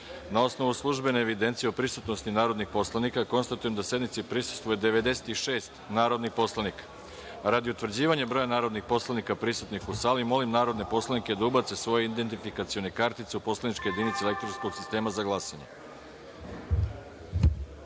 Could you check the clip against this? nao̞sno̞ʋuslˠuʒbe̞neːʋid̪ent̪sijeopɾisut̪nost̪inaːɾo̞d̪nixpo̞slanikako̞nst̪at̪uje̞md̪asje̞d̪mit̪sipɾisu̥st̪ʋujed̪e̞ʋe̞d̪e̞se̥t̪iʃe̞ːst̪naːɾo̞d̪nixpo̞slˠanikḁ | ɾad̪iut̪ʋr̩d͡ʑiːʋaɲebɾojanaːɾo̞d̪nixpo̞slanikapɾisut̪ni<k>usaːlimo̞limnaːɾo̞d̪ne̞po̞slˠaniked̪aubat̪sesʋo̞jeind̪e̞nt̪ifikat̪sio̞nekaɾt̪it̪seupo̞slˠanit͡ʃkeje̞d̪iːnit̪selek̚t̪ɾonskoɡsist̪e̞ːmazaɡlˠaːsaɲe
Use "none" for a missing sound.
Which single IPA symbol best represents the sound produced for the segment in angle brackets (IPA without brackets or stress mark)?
x